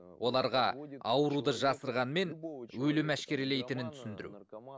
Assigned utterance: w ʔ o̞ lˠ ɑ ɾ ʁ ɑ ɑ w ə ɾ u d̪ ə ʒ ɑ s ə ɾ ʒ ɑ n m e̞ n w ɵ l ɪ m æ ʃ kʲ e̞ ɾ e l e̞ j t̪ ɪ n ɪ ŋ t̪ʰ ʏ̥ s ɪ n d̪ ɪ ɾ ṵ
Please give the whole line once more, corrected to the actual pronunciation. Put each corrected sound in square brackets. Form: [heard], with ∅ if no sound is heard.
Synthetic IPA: w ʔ o̞ lˠ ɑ ɾ ʁ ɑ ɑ w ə ɾ u d̪ ə ʒ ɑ s ə ɾ [ʁ] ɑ n m e̞ n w ɵ l ɪ m æ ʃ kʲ e̞ ɾ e l e̞ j t̪ ɪ n ɪ [n] t̪ʰ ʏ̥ s ɪ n d̪ ɪ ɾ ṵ